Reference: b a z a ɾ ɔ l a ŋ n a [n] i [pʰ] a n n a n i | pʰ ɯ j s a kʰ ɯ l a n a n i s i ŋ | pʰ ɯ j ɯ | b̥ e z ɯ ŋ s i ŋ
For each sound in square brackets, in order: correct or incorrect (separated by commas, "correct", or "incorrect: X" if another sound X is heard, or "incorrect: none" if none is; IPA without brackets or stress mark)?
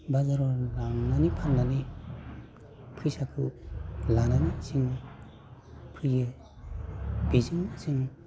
correct, correct